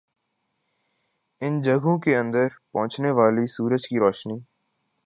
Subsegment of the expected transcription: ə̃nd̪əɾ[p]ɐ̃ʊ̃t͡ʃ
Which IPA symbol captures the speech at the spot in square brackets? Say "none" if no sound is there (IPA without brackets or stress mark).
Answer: p